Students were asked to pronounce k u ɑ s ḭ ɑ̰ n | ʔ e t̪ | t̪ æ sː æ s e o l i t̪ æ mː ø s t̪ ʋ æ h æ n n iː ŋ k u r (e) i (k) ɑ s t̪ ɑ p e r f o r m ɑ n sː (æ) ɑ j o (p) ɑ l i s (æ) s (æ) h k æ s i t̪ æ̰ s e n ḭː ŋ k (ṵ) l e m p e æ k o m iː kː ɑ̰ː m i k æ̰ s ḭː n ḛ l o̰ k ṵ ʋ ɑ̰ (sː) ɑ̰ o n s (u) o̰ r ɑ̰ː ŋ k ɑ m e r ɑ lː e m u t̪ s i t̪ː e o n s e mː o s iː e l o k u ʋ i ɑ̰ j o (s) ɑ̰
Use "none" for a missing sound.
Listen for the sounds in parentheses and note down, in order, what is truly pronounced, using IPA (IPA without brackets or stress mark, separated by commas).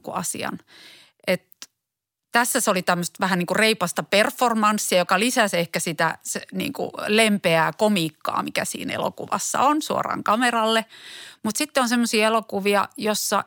e, p, i, k, æ, e, ṵ, sː, u, sː